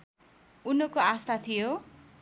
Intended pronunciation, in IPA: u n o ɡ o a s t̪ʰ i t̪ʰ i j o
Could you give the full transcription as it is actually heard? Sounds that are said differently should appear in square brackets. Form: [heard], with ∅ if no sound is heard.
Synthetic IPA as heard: u n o [k] o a s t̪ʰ [a] t̪ʰ i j o